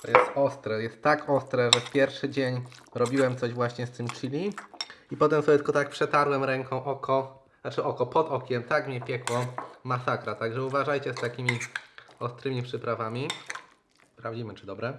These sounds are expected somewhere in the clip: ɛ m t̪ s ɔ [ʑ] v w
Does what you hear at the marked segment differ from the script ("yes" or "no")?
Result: no